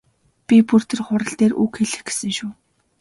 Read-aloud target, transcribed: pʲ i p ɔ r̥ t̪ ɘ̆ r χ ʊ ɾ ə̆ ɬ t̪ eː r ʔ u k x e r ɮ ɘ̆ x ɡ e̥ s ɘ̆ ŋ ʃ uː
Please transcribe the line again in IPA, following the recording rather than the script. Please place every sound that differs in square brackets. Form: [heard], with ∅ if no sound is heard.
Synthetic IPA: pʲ i p [u] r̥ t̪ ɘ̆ r χ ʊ ɾ ə̆ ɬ t̪ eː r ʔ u k x e [∅] ɮ ɘ̆ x ɡ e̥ s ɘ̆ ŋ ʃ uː